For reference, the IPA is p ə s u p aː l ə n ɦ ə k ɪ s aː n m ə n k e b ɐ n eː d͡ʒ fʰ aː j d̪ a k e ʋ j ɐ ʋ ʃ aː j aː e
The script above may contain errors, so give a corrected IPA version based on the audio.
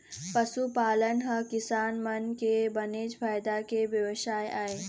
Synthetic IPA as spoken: p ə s u p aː l ə n ɦ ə k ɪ s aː n m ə n k e b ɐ n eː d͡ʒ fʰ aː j d̪ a k e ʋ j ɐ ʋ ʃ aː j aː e